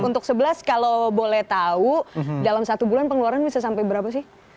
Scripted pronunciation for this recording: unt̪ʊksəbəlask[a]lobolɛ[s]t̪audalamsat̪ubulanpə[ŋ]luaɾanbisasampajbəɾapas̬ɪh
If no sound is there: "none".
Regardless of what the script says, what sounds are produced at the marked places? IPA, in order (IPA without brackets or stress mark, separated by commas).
a, h, ŋ